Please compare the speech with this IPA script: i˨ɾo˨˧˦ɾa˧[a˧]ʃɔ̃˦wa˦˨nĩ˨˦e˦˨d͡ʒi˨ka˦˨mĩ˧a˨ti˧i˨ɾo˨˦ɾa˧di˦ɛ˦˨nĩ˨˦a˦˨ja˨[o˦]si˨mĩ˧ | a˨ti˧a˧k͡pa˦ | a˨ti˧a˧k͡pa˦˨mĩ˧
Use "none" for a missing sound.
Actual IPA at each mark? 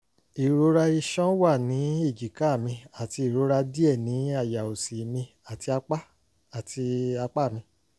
i˧, o˨

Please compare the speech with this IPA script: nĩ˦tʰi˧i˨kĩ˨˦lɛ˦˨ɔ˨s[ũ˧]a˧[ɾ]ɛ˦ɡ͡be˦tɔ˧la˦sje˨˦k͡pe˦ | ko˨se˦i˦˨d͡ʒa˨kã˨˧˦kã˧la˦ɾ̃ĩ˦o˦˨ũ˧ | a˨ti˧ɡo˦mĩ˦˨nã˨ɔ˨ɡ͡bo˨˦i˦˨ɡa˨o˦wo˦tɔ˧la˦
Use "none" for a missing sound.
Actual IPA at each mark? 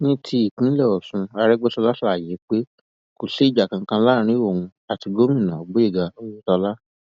ũ˧, ɾ

